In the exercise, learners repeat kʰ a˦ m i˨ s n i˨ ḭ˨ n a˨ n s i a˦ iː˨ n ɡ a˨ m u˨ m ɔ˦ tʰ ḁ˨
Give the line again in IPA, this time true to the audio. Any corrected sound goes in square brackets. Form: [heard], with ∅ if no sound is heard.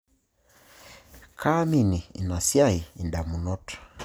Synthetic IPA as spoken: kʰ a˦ m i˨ [∅] n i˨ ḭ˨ n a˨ [∅] s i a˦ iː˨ n [d] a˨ m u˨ [n] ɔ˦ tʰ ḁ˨